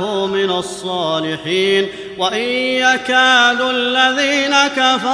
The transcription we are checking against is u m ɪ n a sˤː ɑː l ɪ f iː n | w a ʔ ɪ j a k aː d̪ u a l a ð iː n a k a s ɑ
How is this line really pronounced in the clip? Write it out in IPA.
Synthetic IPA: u m ɪ n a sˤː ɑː l ɪ ħ iː n | w a ʔ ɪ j a k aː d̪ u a lː a ð iː n a k a f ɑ